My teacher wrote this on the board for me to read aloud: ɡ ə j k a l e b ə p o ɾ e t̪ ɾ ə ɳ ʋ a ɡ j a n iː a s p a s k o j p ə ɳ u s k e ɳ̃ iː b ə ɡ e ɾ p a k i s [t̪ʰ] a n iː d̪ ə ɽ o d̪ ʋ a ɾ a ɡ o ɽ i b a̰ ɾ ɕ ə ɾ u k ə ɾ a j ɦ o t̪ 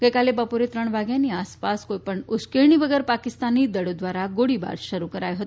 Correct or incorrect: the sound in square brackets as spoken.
incorrect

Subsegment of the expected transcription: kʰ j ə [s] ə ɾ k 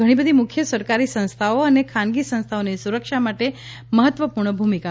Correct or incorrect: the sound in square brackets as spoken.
correct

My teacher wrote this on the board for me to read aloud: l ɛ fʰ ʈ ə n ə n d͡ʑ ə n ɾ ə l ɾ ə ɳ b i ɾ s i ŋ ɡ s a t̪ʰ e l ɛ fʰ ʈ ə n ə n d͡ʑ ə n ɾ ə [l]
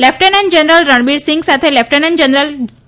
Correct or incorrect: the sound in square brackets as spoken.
correct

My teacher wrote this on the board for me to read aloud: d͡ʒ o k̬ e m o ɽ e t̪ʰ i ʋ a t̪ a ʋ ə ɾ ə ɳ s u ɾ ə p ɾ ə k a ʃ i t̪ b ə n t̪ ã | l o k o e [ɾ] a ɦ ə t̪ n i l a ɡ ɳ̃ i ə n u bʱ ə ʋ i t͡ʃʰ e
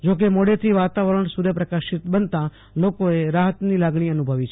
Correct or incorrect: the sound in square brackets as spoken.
correct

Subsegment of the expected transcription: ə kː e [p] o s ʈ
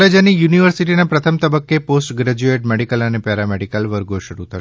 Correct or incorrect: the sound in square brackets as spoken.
correct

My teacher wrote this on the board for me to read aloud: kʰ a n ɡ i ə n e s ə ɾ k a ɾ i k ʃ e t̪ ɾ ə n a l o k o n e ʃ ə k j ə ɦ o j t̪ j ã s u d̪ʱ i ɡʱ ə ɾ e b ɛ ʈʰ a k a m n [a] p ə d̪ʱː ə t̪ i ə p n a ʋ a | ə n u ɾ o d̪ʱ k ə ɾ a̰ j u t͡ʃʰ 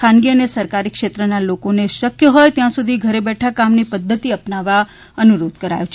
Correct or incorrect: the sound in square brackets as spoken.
incorrect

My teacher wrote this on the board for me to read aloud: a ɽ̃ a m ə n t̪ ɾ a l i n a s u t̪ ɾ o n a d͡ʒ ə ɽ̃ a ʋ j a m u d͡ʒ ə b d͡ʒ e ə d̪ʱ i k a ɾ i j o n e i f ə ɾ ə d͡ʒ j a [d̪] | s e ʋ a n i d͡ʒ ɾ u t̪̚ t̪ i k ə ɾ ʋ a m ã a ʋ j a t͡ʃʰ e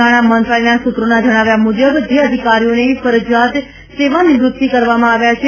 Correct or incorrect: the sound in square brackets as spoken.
incorrect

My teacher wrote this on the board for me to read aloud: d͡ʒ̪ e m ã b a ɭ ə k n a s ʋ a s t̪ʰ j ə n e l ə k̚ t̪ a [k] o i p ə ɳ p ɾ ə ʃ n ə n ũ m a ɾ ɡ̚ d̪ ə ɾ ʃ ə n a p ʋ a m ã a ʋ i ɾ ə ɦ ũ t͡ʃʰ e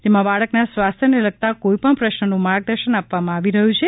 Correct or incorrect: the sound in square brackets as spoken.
correct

